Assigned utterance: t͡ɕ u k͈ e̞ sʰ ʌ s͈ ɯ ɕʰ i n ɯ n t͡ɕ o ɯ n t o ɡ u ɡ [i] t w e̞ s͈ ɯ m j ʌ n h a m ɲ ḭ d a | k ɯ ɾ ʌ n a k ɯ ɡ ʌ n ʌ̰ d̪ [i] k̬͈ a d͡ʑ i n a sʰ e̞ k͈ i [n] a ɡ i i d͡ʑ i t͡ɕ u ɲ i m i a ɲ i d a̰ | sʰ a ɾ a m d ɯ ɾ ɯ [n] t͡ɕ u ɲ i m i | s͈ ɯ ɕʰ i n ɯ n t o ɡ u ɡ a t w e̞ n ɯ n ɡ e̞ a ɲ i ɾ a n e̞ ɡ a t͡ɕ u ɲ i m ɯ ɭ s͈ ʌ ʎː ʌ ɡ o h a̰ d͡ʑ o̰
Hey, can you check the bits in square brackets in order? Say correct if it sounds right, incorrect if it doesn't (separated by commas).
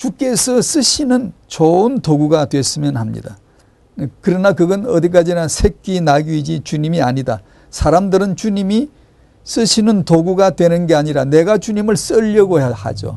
incorrect, correct, correct, correct